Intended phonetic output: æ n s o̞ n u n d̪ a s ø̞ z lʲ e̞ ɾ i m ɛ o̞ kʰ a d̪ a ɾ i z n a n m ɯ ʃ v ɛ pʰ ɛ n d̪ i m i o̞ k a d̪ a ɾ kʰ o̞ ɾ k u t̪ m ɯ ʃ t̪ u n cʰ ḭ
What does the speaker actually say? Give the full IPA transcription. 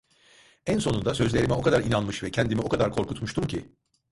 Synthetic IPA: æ n s o̞ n u n d̪ a s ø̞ z lʲ e̞ ɾ i m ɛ o̞ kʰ a d̪ a ɾ i n a n m ɯ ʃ v ɛ cʰ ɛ n d̪ i m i o̞ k a d̪ a ɾ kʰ o̞ ɾ k u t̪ m u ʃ t̪ u m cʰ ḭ